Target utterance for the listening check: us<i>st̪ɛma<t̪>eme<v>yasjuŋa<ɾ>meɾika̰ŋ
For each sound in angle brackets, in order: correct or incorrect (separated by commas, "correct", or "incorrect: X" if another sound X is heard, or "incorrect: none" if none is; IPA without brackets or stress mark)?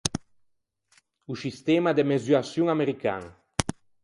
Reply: correct, incorrect: d̪, incorrect: z, incorrect: none